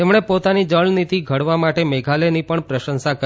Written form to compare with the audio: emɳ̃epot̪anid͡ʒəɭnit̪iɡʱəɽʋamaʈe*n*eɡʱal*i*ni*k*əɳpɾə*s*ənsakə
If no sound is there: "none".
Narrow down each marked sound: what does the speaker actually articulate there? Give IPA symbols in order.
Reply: m, e, p, ʃ

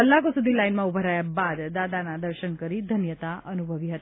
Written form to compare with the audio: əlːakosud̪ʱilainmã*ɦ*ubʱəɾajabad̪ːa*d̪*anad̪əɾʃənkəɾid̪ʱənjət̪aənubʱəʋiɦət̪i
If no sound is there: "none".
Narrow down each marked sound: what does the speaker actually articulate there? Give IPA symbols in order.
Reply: none, d̪

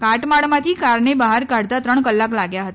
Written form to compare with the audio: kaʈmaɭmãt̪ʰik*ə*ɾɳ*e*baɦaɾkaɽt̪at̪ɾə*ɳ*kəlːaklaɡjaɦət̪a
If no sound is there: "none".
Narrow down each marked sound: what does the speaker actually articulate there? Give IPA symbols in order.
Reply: a, e, ɳ

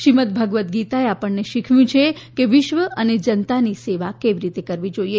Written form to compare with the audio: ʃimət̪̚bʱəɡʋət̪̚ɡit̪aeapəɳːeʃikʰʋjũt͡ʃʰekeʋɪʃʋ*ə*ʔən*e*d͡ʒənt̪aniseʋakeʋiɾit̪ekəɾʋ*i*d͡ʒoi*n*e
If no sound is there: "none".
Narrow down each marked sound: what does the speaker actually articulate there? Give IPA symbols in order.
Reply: ə, e, i, none

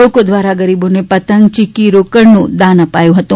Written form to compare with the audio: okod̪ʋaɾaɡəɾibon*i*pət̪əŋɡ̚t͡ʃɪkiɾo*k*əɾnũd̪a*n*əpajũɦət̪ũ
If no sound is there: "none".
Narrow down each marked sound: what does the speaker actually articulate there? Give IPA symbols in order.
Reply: e, k, n

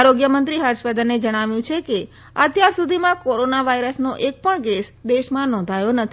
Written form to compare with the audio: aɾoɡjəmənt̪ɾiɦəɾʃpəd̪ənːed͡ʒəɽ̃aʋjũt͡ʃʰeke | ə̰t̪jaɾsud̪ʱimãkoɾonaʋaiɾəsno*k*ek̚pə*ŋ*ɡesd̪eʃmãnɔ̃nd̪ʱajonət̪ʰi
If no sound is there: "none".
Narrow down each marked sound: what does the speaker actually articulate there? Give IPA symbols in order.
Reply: ʔ, ɳ

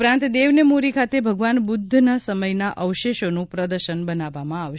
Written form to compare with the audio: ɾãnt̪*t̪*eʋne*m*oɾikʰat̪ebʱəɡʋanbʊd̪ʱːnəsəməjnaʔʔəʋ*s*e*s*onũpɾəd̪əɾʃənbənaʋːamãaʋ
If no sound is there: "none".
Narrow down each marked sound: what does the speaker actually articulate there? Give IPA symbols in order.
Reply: d̪, m, ʃ, ʃ

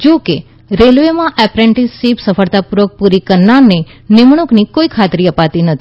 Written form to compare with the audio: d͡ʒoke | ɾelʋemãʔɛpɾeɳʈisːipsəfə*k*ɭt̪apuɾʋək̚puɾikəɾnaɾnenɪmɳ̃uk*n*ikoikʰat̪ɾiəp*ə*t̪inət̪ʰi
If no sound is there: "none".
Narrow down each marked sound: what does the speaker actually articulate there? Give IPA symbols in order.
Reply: none, n, a

